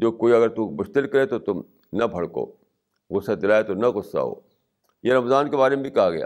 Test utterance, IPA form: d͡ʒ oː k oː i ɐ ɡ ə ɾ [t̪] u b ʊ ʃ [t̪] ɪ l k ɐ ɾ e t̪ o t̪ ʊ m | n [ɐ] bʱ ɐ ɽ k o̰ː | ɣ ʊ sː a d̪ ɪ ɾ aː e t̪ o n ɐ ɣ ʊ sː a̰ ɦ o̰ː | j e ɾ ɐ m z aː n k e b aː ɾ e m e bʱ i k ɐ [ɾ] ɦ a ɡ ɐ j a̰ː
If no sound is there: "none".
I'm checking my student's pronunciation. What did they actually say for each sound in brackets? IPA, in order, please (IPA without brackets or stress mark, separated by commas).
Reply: t̪, t̪, ɐ, none